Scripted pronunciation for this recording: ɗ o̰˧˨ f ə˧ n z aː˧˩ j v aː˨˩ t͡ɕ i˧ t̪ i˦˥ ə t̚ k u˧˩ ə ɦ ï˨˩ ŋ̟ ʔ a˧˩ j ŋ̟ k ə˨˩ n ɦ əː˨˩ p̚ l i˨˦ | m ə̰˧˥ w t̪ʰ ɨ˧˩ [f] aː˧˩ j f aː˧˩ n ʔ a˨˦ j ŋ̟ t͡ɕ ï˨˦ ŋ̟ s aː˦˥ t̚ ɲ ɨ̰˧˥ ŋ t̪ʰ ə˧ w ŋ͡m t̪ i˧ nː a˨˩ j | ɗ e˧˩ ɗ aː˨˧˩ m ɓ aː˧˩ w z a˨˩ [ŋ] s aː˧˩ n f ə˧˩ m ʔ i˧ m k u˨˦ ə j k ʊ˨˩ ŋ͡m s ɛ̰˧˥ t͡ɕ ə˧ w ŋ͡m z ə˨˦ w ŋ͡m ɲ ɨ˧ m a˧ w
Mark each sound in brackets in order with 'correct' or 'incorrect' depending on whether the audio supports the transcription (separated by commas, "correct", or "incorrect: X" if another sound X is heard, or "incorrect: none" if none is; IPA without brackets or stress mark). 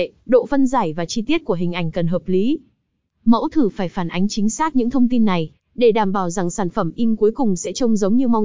correct, correct